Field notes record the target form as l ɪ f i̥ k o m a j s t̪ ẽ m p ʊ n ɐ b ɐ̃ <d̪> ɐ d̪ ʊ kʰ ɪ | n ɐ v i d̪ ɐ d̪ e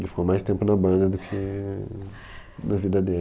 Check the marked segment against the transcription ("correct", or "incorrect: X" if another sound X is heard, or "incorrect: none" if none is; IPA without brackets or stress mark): correct